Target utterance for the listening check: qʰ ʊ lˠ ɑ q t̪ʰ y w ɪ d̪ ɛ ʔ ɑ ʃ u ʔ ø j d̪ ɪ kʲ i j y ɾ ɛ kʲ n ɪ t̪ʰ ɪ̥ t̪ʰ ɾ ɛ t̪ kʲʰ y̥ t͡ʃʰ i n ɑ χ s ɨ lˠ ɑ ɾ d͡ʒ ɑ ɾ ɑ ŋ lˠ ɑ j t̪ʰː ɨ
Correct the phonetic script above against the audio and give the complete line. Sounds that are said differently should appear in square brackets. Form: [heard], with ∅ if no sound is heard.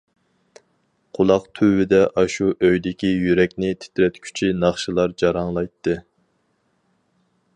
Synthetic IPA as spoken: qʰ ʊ lˠ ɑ q t̪ʰ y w ɪ d̪ ɛ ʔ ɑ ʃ u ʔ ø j d̪ ɪ kʲ i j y ɾ ɛ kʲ n ɪ t̪ʰ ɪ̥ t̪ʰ ɾ ɛ t̪ kʲʰ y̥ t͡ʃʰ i n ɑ χ [ʃ] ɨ lˠ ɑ ɾ d͡ʒ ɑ ɾ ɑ ŋ lˠ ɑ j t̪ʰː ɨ